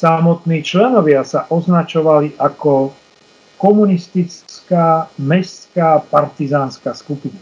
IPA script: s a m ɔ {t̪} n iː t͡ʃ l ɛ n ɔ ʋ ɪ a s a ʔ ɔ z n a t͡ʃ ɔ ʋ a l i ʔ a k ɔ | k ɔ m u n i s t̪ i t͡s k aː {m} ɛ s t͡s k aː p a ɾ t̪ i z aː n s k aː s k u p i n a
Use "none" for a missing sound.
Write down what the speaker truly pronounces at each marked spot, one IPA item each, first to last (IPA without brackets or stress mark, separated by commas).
t̪, m